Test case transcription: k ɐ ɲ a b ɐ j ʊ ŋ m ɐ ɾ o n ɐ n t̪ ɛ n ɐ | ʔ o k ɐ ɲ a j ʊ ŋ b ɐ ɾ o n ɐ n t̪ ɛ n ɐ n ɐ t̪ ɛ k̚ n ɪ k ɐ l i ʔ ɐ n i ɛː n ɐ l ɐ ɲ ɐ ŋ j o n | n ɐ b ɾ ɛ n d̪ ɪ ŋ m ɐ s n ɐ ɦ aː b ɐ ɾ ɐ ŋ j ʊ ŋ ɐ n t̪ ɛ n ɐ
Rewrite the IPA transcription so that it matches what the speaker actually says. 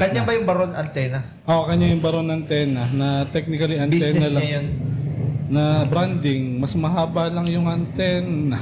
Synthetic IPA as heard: k ɐ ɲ a b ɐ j ʊ ŋ b ɐ ɾ o n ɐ n t̪ ɛ n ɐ | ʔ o k ɐ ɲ a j ʊ ŋ b ɐ ɾ o n ɐ n t̪ ɛ n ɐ n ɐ t̪ ɛ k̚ n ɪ k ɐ l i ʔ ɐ n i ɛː n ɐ l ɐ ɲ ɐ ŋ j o n | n ɐ b ɾ a n d̪ ɪ ŋ m ɐ s m ɐ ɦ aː b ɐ l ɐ ŋ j ʊ ŋ ɐ n t̪ ɛ n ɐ